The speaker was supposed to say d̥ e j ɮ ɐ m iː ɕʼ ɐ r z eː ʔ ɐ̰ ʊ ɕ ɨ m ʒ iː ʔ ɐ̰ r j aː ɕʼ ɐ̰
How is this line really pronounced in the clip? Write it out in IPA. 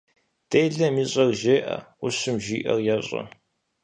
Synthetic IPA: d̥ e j ɮ ɐ m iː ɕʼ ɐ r ʒ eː ʔ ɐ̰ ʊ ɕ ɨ m ʒ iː ʔ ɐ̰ r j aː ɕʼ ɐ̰

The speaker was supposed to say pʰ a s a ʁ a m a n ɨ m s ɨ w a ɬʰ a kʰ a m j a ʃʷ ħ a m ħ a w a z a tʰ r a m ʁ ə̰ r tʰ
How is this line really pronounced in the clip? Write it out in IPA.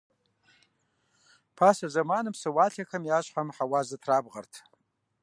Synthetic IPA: pʰ a s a z a m a n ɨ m s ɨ w a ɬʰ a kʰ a m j a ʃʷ ħ a m ħ a w a z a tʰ r a b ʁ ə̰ r tʰ

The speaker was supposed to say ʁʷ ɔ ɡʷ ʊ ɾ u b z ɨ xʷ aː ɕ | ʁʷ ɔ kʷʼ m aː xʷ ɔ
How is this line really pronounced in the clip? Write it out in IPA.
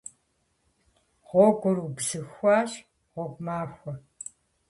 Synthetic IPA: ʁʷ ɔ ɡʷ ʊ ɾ u b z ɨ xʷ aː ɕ | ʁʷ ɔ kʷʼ m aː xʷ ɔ

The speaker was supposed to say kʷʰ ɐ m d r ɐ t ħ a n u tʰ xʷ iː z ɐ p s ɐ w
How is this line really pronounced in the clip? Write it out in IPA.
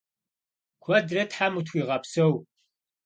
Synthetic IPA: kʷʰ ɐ d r ɐ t ħ a m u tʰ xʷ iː ʁ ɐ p s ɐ w

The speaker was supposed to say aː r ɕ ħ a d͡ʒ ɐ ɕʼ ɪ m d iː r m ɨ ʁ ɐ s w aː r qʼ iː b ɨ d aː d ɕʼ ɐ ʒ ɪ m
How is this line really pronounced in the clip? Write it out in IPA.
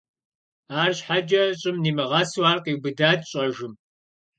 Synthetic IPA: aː r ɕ ħ a d͡ʒ ɐ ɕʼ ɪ m n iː m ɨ ʁ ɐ s w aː r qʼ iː b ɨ d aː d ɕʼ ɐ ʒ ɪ m

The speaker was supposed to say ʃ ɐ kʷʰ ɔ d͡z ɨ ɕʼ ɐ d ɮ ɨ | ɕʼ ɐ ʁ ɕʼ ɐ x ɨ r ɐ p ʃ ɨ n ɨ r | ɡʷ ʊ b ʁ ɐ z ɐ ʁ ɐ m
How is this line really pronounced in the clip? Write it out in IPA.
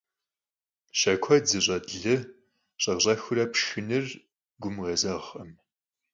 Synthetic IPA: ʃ ɐ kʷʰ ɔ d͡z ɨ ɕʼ ɐ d ɮ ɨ | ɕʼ ɐ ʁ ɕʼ ɐ x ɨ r ɐ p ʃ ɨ n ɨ r | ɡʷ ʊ m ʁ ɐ z ɐ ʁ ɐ m

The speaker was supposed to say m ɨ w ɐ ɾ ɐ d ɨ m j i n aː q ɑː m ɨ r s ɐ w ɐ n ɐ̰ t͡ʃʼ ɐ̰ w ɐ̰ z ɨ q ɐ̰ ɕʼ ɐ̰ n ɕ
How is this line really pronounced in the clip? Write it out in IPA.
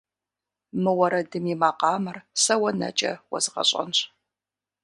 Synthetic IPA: m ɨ w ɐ ɾ ɐ d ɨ m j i m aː q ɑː m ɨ r s ɐ w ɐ n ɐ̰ t͡ʃʼ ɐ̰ w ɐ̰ z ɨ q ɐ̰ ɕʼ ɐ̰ n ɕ

